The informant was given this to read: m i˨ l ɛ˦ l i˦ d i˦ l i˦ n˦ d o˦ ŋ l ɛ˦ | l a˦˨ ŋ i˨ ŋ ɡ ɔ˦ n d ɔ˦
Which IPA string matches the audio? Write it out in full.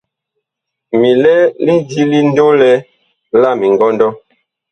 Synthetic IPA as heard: m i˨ l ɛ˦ l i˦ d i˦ l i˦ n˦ d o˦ l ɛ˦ | l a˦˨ m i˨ ŋ ɡ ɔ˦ n d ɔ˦